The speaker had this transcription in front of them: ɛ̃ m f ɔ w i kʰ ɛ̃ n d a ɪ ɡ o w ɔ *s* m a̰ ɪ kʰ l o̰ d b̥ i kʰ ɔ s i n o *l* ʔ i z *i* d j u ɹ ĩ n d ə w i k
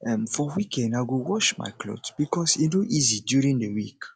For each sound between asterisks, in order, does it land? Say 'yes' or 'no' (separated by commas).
no, no, yes